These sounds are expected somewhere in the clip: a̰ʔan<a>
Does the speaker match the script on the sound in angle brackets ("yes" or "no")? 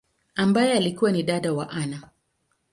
yes